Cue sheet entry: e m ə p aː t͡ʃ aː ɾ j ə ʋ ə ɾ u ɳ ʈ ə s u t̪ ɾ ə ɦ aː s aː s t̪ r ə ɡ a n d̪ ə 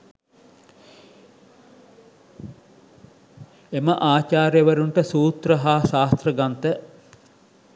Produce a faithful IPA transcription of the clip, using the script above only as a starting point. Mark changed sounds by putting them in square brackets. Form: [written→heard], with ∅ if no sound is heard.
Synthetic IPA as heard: e m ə [p→ʔ] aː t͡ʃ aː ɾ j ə ʋ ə ɾ u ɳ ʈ ə s [u→uː] t̪ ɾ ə ɦ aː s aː s t̪ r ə ɡ a n [d̪→t̪] ə